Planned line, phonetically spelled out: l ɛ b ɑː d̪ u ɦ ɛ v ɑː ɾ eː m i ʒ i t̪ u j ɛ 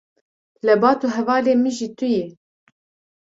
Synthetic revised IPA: l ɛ b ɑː t̪ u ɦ ɛ v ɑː l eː m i ʒ i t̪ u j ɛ